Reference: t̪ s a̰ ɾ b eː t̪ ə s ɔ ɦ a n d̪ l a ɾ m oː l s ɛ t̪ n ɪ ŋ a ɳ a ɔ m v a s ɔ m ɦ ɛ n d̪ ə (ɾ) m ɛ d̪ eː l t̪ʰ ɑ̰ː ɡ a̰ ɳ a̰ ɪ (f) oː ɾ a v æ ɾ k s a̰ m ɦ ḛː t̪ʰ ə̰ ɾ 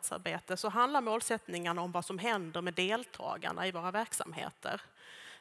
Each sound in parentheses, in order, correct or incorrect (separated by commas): correct, incorrect